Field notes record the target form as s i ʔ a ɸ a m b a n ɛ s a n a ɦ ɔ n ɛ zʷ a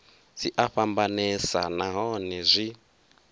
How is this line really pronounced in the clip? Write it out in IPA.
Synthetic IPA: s i ʔ a ɸ a m b a n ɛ s a n a ɦ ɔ n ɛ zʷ i

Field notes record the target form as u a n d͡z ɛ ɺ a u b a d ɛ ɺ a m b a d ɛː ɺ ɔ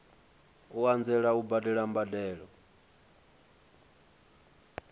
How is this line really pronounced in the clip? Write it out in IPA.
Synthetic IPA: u a n d͡z ɛ ɺ a u b a d ɛ ɺ a m b a d ɛː ɺ ɔ

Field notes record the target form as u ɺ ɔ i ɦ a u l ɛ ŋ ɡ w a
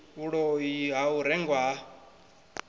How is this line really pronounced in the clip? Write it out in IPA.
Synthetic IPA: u ɺ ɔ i ɦ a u ɾ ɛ ŋ ɡ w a

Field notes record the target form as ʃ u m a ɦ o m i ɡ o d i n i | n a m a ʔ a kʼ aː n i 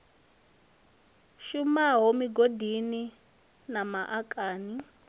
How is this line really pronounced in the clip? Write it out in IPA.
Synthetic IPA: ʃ u m a ɦ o m i ɡ o d i n i | n a m a ʔ a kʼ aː n i

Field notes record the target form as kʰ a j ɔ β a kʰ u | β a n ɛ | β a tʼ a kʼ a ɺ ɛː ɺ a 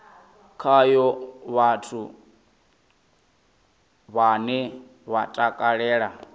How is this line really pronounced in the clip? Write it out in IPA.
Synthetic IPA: kʰ a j ɔ β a tʰ u | β a n ɛ | β a tʼ a kʼ a ɺ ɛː ɺ a

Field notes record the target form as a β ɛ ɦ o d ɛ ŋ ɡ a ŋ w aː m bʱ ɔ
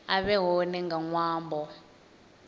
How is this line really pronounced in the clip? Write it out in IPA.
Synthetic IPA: a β ɛ ɦ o n ɛ ŋ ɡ a ŋ w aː m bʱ ɔ

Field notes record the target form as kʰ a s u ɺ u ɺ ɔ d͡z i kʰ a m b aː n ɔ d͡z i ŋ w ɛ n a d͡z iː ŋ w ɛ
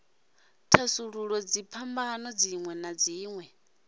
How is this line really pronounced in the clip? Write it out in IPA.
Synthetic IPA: tʰ a s u ɺ u ɺ ɔ d͡z i pʰ a m b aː n ɔ d͡z i ŋ w ɛ n a d͡z iː ŋ w ɛ

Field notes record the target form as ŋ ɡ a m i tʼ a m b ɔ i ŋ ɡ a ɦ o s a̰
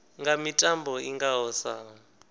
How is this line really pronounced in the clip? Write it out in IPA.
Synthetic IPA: ŋ ɡ a m i tʼ a m b ɔ i ŋ ɡ a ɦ ɔ s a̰

